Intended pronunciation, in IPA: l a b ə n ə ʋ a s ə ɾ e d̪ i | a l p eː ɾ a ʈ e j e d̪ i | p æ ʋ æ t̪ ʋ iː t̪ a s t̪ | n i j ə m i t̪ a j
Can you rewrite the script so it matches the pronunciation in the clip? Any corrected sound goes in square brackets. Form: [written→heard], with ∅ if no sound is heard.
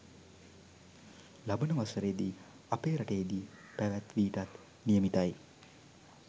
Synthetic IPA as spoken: l a b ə n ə ʋ a s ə ɾ e d̪ i | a [l→∅] p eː ɾ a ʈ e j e d̪ i | p æ ʋ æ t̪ ʋ iː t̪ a [s→∅] t̪ | n i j ə m i t̪ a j